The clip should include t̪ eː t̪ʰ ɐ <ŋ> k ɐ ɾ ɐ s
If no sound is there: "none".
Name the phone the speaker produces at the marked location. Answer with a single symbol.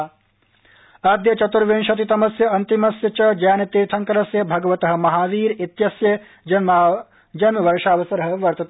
ŋ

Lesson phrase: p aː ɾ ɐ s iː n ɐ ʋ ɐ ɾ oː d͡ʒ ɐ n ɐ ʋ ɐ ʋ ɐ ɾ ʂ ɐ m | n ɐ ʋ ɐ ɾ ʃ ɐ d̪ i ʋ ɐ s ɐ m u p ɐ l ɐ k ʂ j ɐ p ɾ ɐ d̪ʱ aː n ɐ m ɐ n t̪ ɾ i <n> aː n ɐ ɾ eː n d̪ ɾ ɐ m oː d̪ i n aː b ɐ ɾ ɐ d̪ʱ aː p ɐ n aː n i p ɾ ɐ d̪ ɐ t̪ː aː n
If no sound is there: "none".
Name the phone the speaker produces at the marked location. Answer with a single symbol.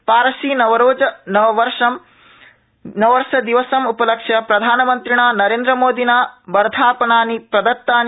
ɳ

